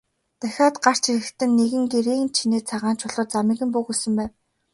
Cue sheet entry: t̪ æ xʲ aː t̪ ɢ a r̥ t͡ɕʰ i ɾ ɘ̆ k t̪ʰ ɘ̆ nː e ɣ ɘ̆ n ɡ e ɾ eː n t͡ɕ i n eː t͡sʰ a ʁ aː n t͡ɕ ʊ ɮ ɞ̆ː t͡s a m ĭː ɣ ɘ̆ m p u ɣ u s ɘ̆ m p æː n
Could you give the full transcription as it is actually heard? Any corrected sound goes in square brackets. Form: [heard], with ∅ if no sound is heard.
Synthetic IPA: t̪ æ xʲ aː t̪ ɢ a r̥ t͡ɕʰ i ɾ ɘ̆ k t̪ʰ ɘ̆ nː e ɣ ɘ̆ [ŋ] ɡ e ɾ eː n [t͡ɕʰ] i n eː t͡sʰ a ʁ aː n t͡ɕ ʊ ɮ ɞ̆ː t͡s a m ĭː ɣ ɘ̆ m p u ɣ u s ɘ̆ m p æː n

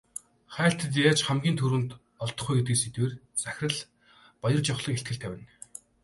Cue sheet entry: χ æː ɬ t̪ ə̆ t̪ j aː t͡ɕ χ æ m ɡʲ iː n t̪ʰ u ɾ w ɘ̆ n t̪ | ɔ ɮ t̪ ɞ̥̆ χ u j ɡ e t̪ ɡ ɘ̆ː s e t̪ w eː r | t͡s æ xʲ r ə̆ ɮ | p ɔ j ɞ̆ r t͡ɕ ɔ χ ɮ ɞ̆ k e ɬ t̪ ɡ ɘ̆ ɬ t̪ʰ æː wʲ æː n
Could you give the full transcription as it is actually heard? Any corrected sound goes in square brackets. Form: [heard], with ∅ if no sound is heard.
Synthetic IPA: χ æː ɬ t̪ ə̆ t̪ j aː t͡ɕ χ æ m ɡʲ iː n t̪ʰ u ɾ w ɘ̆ n t̪ | ɔ ɮ t̪ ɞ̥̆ χ u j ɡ e t̪ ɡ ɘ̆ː s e t̪ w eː r | t͡s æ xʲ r ə̆ ɮ | p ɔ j ɞ̆ r t͡ɕ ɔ χ ɮ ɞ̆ k e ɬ t̪ ɡ ɘ̆ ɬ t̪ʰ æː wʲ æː n

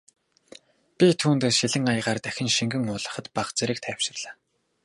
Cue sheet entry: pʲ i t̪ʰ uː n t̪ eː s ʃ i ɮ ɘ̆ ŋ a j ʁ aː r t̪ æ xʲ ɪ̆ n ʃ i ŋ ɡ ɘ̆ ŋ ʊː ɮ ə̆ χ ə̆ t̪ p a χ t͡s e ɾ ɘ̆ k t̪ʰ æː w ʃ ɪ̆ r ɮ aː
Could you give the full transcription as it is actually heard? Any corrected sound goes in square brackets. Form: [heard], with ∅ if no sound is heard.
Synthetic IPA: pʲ i t̪ʰ uː n t̪ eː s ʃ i ɮ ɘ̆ ŋ a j ʁ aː r t̪ æ xʲ ɪ̆ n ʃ i ŋ ɡ ɘ̆ ŋ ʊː ɮ ə̆ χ ə̆ t̪ p a χ t͡s e ɾ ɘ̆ k t̪ʰ æː w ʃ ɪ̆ r ɮ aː

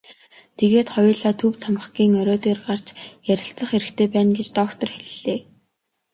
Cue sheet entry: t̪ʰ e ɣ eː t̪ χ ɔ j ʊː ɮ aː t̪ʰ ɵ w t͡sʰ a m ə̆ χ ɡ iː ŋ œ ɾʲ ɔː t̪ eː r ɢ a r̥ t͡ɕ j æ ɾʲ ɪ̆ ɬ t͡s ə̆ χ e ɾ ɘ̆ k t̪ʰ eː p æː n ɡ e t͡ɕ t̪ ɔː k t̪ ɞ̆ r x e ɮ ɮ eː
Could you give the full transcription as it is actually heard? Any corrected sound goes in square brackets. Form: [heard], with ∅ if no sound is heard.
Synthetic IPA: t̪ʰ e ɣ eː t̪ χ ɔ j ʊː ɮ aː t̪ʰ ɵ w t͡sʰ a m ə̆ χ ɡ iː ŋ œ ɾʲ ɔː t̪ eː r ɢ a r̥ t͡ɕ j æ ɾʲ ɪ̆ ɬ t͡s ə̆ χ e ɾ ɘ̆ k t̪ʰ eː p æː n ɡ e t͡ɕ t̪ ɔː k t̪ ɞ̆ r x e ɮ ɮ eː

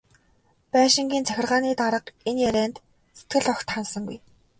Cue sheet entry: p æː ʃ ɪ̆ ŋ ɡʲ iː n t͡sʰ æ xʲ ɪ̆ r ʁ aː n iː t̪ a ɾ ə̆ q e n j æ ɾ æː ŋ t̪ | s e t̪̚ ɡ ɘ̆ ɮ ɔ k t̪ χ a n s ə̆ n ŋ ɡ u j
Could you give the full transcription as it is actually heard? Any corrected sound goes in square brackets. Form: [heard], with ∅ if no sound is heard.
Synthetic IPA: p æː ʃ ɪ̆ ŋ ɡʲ iː n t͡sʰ æ xʲ ɪ̆ r ʁ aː n iː t̪ a ɾ ə̆ q e n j æ ɾ æː [n] t̪ | s e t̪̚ ɡ ɘ̆ ɮ ɔ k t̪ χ a n s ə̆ [∅] ŋ ɡ u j

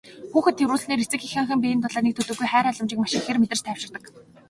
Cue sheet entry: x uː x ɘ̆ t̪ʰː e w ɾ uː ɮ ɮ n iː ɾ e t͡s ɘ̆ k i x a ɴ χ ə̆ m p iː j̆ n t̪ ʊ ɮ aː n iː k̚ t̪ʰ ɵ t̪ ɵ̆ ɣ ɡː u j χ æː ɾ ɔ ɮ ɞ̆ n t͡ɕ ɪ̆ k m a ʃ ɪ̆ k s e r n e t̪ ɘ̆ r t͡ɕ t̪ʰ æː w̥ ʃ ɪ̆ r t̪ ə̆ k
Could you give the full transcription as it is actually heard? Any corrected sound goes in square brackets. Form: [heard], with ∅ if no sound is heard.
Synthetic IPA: x uː x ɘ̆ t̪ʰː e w ɾ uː ɮ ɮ n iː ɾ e t͡s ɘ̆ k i x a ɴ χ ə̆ m p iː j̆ n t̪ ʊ ɮ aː n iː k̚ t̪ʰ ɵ t̪ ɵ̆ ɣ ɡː u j χ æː ɾ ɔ ɮ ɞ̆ [m] t͡ɕ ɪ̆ k m a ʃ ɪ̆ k [x] e r [m] e t̪ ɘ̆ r t͡ɕ t̪ʰ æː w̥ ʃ ɪ̆ r t̪ ə̆ k

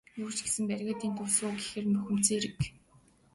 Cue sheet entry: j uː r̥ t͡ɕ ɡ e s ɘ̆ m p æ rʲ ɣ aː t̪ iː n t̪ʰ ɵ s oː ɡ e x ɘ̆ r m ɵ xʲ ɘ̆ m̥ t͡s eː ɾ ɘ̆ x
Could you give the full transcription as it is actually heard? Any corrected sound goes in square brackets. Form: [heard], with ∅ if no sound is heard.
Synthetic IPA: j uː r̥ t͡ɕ ɡ e s ɘ̆ m p æ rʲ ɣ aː t̪ iː n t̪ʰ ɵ s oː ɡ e x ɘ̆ r m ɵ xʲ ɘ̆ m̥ t͡s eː ɾ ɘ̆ [k]

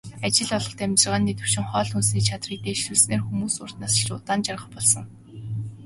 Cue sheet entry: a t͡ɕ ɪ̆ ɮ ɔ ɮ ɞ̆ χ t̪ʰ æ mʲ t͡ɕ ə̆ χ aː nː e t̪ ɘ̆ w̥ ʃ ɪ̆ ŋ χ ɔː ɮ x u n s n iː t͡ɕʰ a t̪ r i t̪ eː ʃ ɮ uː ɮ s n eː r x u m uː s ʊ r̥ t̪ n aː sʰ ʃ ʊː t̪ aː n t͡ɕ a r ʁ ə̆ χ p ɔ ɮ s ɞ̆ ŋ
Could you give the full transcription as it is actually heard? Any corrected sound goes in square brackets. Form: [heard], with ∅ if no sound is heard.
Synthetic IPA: a t͡ɕ ɪ̆ ɮ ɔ ɮ ɞ̆ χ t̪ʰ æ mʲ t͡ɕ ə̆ [ʁ] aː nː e t̪ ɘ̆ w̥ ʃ ɪ̆ ŋ χ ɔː ɮ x u n s n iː t͡ɕʰ a t̪ r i t̪ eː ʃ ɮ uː ɮ s n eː r x u m uː s ʊ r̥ t̪ n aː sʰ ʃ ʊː t̪ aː n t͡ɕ a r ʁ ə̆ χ p ɔ ɮ s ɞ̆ ŋ

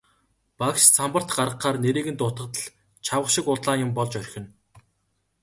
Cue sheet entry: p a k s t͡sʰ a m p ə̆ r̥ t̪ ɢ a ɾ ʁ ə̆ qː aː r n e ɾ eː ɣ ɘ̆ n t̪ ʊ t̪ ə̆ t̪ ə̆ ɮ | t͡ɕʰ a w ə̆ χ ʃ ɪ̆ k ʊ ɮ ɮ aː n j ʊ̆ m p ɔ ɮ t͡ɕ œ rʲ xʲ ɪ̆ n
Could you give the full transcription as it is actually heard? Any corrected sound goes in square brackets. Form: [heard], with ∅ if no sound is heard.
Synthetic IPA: p a k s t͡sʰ a m p ə̆ r̥ t̪ ɢ a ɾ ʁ ə̆ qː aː r n e ɾ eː ɣ ɘ̆ n t̪ ʊ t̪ ə̆ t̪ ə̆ ɮ | t͡ɕʰ a w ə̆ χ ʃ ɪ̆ k ʊ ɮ ɮ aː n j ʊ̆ m p ɔ ɮ t͡ɕ œ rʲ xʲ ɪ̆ n

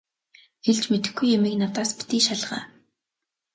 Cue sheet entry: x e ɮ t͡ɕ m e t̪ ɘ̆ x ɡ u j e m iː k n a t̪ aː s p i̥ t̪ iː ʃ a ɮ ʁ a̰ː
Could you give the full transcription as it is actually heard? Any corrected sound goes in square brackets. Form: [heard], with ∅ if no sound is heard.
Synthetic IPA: x e ɮ t͡ɕ m e t̪ ɘ̆ x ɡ u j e m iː k n a t̪ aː s p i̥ t̪ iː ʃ a ɮ ʁ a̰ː

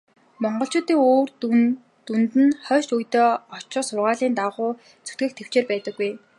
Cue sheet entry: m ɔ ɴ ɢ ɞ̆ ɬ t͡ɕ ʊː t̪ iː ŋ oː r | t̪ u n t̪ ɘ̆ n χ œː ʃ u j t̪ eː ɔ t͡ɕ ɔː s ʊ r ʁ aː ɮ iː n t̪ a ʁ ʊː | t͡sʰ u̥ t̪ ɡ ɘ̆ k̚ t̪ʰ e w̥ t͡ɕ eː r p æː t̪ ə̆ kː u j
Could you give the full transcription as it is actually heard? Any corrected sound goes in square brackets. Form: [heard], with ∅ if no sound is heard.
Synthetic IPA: m ɔ ɴ ɢ ɞ̆ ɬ t͡ɕ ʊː t̪ iː ŋ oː r | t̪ u n t̪ ɘ̆ n χ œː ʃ u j t̪ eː ɔ t͡ɕ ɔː s ʊ r ʁ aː ɮ iː n t̪ a ʁ ʊː | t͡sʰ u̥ t̪ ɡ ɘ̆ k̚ t̪ʰ e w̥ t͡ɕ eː r p æː t̪ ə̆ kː u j

